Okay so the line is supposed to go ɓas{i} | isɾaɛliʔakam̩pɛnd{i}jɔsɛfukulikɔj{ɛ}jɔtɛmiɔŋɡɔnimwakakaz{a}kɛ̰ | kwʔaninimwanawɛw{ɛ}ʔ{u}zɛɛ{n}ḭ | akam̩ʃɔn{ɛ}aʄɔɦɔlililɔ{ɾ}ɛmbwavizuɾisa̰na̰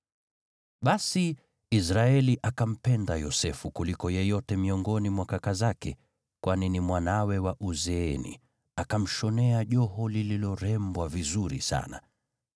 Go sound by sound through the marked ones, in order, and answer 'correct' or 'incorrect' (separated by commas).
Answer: correct, incorrect, correct, correct, incorrect, correct, correct, correct, correct